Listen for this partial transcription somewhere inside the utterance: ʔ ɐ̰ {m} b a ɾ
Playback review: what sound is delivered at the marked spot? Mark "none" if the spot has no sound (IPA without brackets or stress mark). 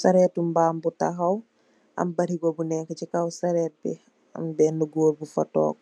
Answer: m